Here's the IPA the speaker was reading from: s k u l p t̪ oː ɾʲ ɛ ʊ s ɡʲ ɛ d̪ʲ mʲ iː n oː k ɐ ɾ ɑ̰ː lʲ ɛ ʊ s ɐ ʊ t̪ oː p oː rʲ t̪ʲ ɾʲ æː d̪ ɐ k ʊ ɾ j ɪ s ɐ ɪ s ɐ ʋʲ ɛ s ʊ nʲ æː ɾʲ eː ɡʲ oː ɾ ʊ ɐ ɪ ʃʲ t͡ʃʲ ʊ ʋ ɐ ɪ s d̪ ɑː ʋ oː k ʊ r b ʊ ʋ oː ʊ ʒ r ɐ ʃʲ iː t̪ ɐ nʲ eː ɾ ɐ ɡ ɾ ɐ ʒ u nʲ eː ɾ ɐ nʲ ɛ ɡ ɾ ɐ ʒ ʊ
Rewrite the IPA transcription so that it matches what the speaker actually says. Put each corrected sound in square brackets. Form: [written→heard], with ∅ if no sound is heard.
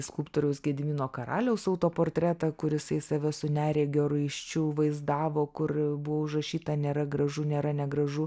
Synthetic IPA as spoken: s k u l p t̪ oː ɾʲ ɛ ʊ s ɡʲ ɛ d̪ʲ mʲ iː n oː k ɐ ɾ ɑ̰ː lʲ ɛ ʊ s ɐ ʊ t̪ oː p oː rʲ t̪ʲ ɾʲ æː [d̪→t̪] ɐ k ʊ ɾ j ɪ s ɐ ɪ s ɐ ʋʲ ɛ s ʊ nʲ æː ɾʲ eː ɡʲ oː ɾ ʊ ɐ ɪ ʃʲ t͡ʃʲ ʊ ʋ ɐ ɪ [s→z] d̪ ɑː ʋ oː k ʊ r b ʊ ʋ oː ʊ ʒ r ɐ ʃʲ iː t̪ ɐ nʲ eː ɾ ɐ ɡ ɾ ɐ ʒ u nʲ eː ɾ ɐ nʲ ɛ ɡ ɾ ɐ ʒ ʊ